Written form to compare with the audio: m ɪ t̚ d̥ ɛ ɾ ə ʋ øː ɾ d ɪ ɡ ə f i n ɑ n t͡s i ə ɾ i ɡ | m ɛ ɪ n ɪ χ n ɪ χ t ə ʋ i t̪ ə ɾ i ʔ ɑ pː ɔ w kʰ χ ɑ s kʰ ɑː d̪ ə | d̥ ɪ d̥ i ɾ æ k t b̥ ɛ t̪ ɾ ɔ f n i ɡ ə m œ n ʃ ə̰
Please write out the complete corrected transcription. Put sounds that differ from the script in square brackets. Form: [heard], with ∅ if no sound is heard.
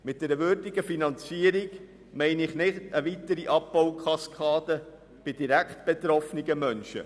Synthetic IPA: m ɪ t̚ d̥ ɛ ɾ ə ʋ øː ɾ d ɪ ɡ ə f i n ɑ n t͡s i ə ɾ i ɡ | m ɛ ɪ n ɪ χ n ɪ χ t ə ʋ i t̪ ə ɾ i ʔ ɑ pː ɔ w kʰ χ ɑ s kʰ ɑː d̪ ə | [b̥] ɪ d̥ i ɾ æ k t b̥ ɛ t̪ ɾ ɔ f n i ɡ ə m œ n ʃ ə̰